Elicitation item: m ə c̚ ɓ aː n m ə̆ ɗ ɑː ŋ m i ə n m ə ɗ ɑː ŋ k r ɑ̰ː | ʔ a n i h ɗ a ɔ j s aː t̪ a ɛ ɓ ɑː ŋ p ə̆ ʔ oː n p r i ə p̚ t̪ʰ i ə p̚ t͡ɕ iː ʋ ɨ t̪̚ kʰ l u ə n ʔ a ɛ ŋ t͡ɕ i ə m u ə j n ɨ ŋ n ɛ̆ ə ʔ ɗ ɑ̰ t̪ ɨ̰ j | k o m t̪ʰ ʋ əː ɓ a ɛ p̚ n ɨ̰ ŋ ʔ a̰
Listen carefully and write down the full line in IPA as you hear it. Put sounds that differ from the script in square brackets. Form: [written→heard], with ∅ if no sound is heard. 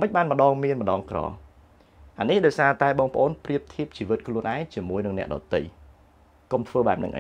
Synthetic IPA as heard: m ə c̚ ɓ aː n m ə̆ ɗ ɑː ŋ m i ə n m ə ɗ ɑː ŋ k r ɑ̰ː | ʔ a n i h ɗ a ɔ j s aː t̪ a ɛ ɓ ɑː ŋ p ə̆ ʔ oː n p r i ə p̚ t̪ʰ i ə p̚ t͡ɕ iː ʋ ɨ t̪̚ kʰ l u ə n ʔ a ɛ ŋ t͡ɕ i ə m u ə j n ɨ ŋ n ɛ̆ ə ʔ ɗ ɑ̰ t̪ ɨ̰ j | k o m t̪ʰ ʋ əː ɓ a ɛ p̚ n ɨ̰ ŋ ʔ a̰